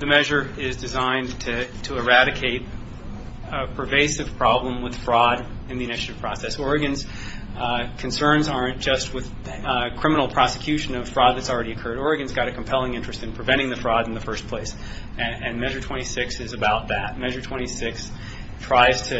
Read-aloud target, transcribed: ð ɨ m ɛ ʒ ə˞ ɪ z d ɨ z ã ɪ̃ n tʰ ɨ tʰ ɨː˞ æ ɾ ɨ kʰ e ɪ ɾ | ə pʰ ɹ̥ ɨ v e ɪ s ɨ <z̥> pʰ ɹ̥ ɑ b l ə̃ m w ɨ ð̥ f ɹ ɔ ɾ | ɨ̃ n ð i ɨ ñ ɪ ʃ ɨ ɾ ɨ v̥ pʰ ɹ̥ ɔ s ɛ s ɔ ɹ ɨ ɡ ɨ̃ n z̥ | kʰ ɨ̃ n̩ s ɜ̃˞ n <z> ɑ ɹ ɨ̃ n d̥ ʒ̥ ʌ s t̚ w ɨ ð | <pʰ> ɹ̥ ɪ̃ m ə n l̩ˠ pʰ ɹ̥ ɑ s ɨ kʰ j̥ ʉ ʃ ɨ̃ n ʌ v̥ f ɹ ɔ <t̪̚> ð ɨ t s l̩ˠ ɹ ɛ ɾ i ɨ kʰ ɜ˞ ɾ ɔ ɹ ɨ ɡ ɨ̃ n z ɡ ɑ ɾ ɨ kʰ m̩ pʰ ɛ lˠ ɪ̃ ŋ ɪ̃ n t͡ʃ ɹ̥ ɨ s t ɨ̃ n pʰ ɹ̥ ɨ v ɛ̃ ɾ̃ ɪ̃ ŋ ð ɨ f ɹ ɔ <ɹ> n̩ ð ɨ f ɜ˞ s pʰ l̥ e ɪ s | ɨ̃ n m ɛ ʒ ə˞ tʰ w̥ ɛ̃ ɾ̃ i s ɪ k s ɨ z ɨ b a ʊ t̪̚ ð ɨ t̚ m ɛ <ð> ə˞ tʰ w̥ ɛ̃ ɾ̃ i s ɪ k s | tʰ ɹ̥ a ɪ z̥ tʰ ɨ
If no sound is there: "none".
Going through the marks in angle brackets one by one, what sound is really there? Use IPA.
v̥, z, kʰ, d̪̚, ɾ, ʒ

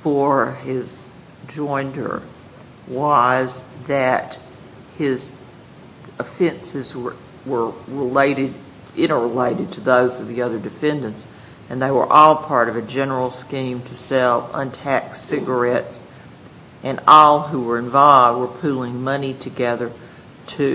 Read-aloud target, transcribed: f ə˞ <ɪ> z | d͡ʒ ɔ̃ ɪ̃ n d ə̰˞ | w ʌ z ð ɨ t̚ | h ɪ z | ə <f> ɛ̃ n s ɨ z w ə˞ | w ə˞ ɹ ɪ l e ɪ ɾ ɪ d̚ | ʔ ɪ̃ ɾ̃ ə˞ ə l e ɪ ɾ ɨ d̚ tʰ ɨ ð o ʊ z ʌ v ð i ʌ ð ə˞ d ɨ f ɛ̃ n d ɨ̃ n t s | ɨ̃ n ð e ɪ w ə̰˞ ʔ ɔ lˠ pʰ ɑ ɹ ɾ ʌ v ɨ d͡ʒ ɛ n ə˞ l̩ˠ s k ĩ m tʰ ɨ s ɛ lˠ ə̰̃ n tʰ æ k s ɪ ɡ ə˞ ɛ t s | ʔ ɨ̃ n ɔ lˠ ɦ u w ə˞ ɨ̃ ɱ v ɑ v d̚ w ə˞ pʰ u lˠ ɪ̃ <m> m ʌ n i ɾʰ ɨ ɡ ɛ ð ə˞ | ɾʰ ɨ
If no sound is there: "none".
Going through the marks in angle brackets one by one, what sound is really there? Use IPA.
ɪ, f, ŋ

